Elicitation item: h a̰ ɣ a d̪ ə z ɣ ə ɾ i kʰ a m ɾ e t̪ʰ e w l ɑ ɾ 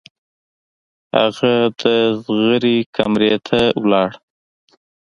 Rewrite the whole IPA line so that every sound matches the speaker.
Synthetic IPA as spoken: h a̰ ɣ a d̪ ə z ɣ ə ɾ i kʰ a m ɾ e t̪ʰ a w l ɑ ɽ